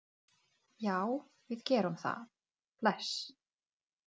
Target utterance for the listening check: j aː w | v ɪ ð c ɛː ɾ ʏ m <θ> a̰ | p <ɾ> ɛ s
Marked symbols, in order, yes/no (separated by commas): yes, no